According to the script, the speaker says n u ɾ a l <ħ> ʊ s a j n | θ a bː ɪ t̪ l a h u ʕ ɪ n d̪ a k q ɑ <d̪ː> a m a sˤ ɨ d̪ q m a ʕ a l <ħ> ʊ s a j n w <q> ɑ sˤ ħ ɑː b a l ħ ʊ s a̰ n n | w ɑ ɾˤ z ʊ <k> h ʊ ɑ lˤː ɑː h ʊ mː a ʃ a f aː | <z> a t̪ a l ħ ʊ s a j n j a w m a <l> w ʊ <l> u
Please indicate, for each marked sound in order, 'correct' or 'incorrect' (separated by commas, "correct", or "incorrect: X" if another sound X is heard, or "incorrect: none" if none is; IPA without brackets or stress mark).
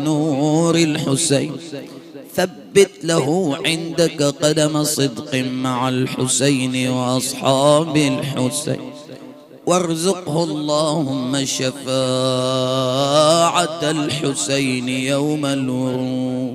correct, incorrect: d̪, correct, incorrect: ʔ, incorrect: q, incorrect: ʕ, correct, incorrect: ɾ